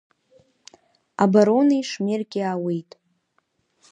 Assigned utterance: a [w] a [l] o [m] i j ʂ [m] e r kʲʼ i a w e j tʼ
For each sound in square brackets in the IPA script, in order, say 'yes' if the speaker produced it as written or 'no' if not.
no, no, no, yes

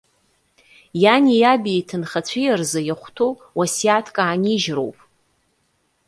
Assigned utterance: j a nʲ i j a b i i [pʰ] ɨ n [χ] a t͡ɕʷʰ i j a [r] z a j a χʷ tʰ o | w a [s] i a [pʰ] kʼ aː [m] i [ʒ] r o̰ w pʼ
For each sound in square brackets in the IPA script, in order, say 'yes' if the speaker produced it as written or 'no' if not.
no, yes, yes, yes, no, no, yes

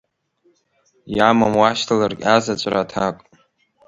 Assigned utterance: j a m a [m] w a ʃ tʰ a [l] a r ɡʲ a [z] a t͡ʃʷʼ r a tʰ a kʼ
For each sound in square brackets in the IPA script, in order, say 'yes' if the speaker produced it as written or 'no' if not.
yes, yes, yes

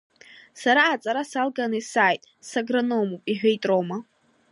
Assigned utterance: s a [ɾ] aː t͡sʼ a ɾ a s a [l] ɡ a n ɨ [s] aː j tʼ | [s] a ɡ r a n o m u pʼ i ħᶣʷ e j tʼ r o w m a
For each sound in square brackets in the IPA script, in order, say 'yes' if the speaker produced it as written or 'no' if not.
yes, yes, yes, yes

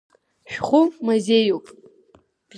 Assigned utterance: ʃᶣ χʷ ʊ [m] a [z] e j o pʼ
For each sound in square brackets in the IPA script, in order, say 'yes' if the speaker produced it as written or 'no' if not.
yes, yes

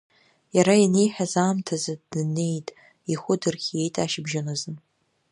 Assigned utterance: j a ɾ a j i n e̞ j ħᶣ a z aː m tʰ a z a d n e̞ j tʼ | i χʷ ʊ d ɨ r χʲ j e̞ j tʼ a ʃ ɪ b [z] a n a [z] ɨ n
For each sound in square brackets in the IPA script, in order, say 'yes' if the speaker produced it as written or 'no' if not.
no, yes

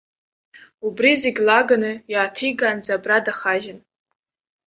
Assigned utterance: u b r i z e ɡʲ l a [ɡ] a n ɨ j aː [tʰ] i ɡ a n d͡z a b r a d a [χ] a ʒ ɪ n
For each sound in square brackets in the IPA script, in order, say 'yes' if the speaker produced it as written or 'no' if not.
yes, yes, yes

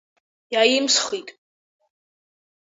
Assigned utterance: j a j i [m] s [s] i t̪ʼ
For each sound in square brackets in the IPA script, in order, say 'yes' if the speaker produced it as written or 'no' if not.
yes, no

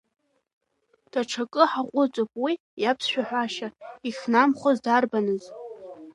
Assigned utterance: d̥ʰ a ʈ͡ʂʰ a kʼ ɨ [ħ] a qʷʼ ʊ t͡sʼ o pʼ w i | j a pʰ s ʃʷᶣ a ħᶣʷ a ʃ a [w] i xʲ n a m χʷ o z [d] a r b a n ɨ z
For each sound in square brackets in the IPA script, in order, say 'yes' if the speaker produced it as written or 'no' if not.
yes, no, yes

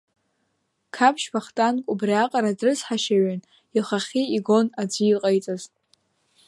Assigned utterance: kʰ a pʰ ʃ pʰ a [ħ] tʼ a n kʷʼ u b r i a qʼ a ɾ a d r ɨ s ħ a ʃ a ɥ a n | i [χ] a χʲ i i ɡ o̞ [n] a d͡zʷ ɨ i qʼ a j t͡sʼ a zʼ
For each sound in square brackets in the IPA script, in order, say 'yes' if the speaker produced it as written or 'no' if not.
no, yes, yes

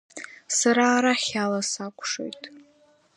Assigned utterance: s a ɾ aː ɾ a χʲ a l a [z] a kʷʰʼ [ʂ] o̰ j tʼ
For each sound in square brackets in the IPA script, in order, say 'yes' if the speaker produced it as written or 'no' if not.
no, yes

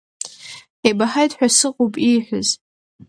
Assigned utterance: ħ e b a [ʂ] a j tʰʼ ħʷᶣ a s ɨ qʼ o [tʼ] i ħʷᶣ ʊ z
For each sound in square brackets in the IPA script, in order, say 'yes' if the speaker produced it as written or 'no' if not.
no, no

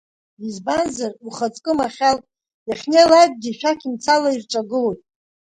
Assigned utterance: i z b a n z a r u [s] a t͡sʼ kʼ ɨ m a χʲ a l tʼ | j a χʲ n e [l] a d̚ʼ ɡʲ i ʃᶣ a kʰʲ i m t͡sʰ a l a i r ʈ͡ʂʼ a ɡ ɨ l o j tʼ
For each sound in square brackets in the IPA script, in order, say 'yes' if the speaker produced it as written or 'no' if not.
no, yes

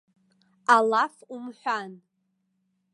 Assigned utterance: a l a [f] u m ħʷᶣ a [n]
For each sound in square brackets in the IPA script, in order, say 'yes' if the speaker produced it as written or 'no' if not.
yes, yes

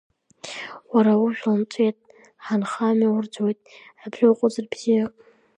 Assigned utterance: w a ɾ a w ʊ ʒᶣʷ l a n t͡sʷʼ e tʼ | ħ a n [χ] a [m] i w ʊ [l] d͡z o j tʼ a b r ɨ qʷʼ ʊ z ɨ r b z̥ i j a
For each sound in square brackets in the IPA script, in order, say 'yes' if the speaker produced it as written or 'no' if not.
yes, yes, no

